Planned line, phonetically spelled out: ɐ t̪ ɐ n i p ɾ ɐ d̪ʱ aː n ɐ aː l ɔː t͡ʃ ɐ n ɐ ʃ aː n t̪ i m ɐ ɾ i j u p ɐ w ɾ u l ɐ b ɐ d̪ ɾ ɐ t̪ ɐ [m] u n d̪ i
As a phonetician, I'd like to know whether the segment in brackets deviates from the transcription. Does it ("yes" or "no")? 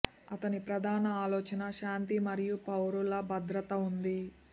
yes